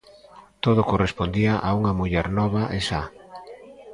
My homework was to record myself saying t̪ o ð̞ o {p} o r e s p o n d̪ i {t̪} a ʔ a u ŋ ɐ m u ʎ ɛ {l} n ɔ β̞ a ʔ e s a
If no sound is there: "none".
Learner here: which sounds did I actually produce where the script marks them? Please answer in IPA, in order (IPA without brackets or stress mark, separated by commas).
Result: k, none, ɾ